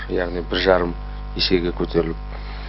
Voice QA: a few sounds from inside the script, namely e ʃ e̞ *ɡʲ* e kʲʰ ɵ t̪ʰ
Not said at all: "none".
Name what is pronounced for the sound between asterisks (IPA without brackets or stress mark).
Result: ɡʲ